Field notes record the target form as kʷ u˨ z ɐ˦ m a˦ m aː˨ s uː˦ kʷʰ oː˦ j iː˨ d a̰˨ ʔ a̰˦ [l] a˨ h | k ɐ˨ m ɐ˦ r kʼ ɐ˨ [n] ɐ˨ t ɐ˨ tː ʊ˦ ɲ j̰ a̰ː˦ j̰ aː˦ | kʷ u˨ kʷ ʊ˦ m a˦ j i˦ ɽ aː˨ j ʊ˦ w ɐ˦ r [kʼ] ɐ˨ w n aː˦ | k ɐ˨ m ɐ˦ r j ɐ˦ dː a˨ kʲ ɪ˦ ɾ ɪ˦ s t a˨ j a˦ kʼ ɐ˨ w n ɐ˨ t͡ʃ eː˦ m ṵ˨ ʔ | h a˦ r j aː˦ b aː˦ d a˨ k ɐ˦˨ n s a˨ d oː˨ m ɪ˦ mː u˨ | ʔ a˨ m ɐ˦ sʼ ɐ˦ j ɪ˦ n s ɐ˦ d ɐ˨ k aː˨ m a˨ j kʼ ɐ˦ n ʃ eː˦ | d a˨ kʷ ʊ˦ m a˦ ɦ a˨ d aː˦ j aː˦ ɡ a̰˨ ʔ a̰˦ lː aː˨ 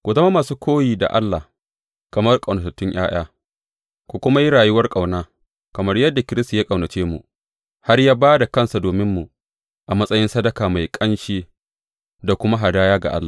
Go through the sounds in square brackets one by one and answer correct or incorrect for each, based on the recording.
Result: incorrect: lː, correct, correct

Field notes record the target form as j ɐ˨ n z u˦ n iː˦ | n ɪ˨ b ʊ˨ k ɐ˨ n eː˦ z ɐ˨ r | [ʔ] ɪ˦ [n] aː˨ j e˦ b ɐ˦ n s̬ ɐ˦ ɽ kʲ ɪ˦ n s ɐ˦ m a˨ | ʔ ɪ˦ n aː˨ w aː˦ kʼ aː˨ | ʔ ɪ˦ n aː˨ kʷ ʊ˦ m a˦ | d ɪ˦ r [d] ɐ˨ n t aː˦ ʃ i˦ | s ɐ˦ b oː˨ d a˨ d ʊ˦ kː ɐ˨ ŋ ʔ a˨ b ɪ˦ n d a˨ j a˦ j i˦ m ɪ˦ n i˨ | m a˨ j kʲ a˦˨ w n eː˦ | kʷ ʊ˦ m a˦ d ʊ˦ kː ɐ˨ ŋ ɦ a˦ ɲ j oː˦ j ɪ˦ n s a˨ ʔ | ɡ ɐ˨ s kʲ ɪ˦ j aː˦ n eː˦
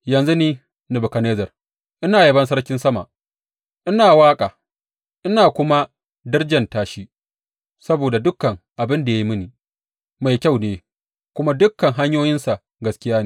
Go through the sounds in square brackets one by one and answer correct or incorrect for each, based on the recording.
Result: correct, correct, incorrect: d͡ʒ

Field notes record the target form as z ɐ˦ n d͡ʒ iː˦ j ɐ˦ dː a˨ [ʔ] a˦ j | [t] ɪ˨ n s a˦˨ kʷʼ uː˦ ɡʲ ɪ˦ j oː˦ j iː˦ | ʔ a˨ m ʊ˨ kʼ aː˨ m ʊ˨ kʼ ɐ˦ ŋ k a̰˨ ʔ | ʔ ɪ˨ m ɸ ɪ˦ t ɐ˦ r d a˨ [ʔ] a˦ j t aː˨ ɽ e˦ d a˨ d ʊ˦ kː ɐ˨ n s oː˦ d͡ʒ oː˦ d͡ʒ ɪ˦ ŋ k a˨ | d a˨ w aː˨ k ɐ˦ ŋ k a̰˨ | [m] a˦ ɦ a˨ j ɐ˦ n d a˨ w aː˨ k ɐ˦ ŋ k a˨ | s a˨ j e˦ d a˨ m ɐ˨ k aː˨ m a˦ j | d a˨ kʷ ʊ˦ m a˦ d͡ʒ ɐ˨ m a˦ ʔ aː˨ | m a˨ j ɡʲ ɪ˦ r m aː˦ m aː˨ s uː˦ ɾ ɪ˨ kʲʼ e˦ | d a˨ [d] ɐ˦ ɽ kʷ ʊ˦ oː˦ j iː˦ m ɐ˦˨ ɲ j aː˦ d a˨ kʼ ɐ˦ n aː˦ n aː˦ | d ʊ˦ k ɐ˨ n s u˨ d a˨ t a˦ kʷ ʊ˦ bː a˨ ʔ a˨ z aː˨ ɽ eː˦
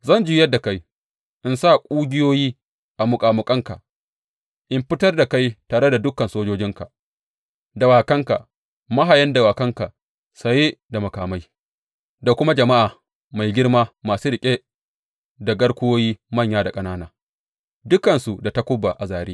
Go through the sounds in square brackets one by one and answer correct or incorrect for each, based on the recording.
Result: incorrect: k, incorrect: ʔ, incorrect: k, correct, incorrect: ɡ

